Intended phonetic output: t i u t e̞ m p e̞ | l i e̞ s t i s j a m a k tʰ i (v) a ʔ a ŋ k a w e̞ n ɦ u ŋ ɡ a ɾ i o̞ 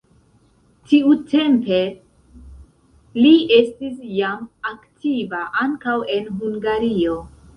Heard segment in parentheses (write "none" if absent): v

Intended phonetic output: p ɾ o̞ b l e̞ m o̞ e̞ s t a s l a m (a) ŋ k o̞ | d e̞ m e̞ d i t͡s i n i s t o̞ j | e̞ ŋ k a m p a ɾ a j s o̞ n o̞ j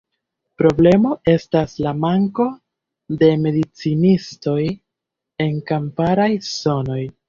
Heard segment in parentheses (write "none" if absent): a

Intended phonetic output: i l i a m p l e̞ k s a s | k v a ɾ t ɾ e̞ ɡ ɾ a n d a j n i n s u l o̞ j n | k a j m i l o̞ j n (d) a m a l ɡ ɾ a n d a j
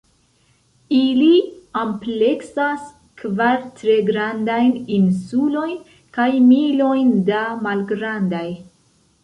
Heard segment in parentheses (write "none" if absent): d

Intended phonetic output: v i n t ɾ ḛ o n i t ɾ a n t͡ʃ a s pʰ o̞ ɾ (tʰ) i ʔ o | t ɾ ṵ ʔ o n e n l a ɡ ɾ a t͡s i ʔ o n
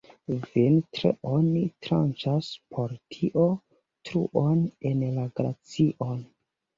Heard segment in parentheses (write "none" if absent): tʰ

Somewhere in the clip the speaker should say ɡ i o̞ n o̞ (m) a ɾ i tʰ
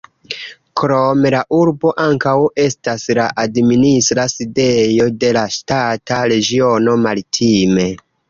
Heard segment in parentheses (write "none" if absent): m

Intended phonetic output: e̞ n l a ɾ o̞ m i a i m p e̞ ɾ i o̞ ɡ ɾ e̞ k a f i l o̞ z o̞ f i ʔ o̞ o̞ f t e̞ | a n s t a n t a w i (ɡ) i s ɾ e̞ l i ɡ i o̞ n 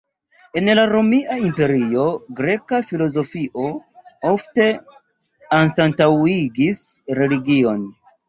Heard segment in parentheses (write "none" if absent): ɡ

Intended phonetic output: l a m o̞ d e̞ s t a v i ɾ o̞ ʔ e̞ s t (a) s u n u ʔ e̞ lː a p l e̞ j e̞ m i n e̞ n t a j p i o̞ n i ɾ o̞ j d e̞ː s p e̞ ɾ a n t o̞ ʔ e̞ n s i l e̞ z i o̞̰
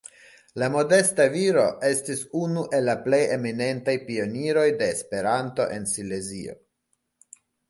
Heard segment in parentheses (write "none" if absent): i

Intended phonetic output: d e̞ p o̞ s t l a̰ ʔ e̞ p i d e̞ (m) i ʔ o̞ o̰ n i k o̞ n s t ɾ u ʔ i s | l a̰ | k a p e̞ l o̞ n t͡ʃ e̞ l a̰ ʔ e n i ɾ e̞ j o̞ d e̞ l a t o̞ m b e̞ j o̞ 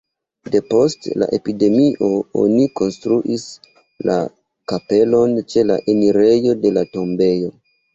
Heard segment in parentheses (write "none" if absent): m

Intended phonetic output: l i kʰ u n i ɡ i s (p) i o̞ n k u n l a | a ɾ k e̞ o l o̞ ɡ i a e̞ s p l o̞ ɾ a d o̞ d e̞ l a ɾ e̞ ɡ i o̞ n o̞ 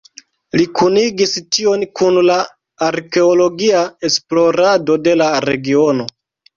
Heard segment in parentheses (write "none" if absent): t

